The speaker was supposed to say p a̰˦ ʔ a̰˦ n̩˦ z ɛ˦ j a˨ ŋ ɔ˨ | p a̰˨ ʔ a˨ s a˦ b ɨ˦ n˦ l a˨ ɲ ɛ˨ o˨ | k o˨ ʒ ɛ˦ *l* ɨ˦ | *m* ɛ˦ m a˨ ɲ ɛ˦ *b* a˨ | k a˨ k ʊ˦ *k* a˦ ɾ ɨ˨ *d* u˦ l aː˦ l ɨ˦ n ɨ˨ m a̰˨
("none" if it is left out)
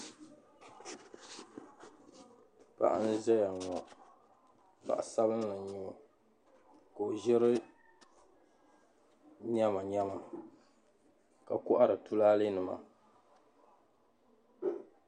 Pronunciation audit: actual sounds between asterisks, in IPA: ɾ, ɲ, m, ʔ, t

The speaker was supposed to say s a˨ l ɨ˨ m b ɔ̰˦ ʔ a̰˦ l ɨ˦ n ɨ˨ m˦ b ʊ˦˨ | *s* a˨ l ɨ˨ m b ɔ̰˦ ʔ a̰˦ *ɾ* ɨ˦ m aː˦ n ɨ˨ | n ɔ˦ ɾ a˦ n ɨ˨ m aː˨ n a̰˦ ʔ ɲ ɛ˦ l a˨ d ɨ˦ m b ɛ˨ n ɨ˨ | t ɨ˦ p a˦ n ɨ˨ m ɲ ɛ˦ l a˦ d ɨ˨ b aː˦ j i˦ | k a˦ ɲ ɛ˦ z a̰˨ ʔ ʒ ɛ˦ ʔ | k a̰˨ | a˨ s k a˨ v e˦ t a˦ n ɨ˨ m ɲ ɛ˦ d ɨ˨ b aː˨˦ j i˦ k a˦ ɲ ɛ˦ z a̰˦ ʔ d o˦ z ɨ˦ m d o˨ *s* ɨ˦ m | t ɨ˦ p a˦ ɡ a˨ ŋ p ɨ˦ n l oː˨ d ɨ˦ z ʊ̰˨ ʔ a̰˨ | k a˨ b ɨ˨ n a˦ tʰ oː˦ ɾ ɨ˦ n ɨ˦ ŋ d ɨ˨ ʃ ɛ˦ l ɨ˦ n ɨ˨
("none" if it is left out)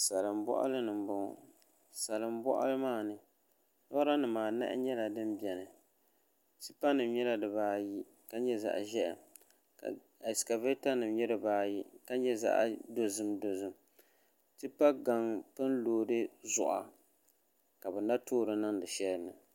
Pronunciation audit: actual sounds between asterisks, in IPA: s, l, z

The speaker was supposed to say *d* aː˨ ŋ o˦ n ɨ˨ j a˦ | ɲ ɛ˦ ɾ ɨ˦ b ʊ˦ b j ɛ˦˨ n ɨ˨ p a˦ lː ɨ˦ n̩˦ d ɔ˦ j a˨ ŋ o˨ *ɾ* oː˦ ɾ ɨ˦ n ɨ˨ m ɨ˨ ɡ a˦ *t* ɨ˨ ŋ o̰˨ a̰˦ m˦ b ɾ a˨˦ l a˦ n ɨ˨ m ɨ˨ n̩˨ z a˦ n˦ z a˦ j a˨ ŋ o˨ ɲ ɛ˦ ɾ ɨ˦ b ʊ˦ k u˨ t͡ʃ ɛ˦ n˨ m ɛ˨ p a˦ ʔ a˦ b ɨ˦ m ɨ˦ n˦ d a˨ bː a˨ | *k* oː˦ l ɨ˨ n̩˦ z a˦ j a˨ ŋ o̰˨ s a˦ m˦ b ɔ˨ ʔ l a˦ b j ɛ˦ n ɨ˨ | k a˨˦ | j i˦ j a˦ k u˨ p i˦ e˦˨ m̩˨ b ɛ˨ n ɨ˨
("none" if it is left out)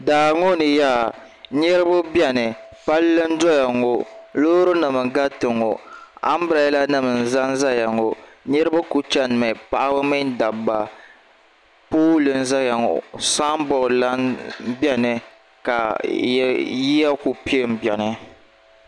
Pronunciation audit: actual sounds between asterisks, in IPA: d, l, t, p

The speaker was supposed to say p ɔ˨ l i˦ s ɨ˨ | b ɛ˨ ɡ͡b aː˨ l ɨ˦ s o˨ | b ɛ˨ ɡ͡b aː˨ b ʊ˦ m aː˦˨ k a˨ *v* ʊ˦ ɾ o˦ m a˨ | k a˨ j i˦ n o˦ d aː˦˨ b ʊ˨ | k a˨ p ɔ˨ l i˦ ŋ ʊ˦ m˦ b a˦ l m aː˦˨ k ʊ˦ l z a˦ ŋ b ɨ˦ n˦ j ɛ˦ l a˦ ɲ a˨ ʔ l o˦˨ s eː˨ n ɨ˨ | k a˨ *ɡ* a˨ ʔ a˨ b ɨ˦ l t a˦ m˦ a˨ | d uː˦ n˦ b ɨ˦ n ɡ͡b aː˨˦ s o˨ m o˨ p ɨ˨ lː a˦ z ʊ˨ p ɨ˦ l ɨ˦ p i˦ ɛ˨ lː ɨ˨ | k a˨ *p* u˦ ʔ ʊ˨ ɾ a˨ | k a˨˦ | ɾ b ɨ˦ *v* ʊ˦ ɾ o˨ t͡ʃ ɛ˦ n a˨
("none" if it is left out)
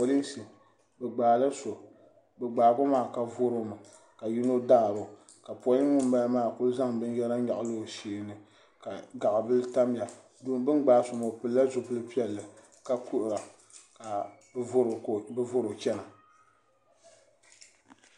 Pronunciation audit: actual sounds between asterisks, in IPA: v, ɡ, k, v

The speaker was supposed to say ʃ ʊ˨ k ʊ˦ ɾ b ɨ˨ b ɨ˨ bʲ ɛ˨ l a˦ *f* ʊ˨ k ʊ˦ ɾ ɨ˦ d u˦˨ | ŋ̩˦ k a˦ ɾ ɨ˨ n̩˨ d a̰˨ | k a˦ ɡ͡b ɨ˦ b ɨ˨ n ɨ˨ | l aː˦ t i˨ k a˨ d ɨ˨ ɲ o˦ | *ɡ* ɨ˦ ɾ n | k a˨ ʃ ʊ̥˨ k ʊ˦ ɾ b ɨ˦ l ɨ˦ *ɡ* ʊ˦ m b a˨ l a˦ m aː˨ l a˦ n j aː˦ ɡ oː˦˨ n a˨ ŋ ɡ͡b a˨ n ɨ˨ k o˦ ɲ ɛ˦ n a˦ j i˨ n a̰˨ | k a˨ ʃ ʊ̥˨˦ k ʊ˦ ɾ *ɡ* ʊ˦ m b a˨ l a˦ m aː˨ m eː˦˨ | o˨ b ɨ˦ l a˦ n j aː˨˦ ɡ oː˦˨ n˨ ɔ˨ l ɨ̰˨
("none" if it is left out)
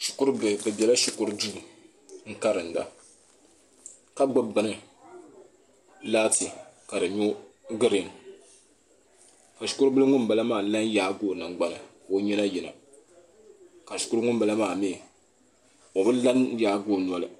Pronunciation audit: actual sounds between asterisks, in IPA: ʃ, ɡ, ŋ, ŋ

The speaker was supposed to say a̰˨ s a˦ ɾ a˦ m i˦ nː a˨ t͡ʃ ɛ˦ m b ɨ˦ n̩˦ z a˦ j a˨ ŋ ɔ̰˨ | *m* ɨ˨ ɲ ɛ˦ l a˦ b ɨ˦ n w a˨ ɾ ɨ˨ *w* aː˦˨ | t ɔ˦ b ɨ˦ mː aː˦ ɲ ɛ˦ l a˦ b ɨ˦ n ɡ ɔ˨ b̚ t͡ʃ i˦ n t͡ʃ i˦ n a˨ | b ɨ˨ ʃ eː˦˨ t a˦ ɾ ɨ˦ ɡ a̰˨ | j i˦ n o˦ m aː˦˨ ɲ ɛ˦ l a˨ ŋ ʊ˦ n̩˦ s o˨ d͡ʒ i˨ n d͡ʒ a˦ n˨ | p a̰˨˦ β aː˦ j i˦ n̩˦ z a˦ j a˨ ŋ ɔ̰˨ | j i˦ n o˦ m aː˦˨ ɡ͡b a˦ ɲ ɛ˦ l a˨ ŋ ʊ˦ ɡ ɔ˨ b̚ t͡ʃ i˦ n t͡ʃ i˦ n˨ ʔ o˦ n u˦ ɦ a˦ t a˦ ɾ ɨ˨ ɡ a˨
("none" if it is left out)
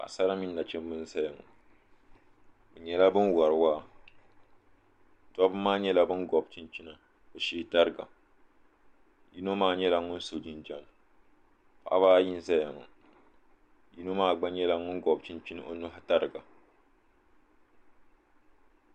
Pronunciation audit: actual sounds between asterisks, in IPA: b, w

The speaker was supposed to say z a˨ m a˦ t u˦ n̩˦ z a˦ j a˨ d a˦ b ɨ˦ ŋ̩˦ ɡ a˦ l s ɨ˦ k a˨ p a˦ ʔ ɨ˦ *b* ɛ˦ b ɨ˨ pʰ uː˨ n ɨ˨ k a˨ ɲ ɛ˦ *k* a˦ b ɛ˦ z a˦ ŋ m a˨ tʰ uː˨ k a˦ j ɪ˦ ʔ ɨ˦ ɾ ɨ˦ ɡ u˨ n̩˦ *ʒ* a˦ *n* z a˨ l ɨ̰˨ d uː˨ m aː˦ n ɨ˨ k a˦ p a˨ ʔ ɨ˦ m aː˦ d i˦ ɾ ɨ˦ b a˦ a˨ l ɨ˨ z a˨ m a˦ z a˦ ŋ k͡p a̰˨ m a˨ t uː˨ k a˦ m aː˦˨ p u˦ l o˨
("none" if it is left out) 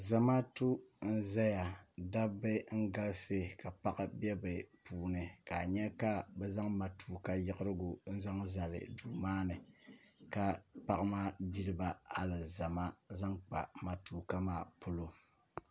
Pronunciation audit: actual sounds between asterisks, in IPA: b, k, z, ŋ

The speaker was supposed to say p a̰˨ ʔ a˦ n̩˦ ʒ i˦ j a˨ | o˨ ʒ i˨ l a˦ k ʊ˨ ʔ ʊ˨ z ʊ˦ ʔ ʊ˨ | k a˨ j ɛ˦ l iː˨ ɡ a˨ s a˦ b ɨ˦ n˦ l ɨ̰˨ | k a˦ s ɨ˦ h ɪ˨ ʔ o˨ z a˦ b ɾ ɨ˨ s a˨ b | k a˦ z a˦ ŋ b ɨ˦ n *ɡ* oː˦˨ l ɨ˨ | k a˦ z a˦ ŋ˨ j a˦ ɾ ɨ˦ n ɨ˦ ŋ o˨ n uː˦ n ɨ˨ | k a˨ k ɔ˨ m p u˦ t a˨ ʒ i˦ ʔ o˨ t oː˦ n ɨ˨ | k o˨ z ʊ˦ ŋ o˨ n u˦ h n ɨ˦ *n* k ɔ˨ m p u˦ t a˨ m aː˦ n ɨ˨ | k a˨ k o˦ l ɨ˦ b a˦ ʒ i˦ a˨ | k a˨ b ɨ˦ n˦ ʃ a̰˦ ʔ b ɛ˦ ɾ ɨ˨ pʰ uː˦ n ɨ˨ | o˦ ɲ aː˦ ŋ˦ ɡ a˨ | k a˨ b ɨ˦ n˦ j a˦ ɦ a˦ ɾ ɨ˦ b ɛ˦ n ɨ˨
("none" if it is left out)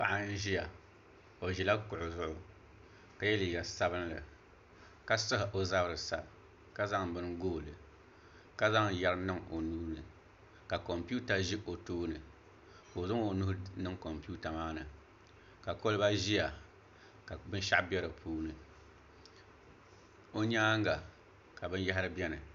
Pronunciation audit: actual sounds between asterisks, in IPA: ɡ, ŋ

